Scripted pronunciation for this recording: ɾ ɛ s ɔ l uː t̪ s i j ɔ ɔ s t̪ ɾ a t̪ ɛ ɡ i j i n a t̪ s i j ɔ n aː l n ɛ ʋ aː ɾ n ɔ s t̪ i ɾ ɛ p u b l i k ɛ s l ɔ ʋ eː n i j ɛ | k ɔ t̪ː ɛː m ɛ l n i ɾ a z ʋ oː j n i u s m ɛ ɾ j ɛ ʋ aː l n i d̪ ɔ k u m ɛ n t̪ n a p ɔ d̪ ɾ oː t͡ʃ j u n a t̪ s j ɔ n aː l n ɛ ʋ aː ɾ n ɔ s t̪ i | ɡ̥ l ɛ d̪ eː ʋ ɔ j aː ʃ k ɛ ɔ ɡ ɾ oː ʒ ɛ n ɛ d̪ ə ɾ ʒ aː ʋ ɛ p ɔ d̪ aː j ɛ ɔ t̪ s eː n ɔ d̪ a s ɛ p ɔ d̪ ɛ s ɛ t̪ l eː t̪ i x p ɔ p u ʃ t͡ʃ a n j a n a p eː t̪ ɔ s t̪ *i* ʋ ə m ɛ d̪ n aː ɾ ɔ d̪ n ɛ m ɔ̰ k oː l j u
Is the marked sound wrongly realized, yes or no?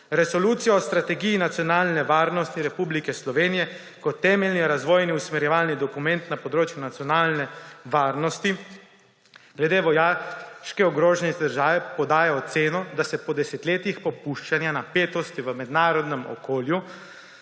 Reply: no